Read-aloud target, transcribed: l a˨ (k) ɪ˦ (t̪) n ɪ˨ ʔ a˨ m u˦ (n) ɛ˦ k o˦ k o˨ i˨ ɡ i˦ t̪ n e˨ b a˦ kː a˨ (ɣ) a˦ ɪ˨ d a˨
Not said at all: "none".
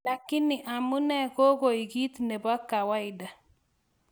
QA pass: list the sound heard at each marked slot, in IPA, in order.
k, none, n, w

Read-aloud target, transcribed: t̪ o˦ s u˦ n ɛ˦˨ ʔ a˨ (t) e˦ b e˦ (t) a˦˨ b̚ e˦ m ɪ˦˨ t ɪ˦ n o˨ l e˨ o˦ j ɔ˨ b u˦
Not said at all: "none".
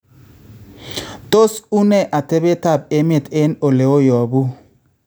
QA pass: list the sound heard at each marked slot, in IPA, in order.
t, t

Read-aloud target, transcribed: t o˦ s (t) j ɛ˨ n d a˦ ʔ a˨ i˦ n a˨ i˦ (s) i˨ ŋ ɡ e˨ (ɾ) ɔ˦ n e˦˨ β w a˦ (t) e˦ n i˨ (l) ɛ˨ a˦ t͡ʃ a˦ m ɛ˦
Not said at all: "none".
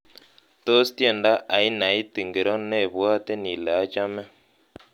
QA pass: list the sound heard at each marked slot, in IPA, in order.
t, t, ɾ, t, l

